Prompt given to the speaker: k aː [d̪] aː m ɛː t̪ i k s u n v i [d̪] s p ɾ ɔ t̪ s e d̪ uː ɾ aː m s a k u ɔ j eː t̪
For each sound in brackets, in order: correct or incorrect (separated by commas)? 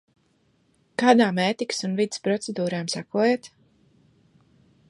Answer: correct, correct